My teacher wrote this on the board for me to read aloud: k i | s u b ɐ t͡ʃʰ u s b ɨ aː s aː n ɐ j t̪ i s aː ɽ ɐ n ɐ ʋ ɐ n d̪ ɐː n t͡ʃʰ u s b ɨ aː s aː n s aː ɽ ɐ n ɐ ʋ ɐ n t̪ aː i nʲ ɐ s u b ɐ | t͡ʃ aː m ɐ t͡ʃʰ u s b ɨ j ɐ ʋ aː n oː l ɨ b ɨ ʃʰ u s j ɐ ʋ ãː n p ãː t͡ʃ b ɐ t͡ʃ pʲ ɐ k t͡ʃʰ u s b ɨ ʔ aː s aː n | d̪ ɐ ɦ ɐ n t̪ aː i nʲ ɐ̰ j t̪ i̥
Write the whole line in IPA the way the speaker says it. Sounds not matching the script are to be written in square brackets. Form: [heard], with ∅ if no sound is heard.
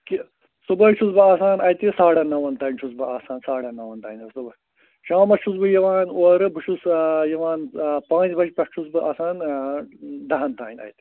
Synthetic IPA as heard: k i | s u b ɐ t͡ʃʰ u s b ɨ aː s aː n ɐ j t̪ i s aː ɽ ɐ n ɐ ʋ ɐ n [t̪] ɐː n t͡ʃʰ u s b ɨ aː s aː n s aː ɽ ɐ n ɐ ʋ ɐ n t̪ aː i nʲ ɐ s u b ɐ | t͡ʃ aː m ɐ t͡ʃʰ u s b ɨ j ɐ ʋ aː n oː [ɾ] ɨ b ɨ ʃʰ u s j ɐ ʋ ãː n p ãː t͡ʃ b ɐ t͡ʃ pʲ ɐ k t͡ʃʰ u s b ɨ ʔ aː s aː n | d̪ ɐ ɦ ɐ n t̪ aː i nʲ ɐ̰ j t̪ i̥